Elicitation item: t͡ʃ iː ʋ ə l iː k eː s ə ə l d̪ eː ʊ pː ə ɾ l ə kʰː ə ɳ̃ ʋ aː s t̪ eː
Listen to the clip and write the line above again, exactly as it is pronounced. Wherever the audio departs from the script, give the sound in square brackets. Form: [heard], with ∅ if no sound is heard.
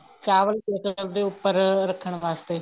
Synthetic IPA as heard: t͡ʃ [aː] ʋ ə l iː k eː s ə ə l d̪ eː ʊ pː ə ɾ [ɾ] ə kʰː ə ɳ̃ ʋ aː s t̪ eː